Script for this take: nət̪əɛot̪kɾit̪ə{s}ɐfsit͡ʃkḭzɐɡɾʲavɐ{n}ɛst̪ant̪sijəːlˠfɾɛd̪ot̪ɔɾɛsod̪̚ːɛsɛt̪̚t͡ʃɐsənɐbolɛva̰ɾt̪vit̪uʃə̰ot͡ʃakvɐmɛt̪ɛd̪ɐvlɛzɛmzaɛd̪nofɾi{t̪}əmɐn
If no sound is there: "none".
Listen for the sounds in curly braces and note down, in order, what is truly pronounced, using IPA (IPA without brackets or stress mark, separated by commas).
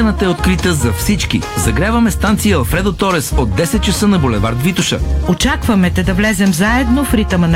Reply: z, m, t̪